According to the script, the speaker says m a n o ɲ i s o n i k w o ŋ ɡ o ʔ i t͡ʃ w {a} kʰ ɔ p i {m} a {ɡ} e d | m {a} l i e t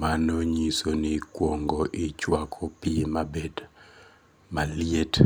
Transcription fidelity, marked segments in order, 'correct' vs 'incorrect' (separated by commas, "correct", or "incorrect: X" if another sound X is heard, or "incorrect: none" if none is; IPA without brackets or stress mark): correct, correct, incorrect: b, correct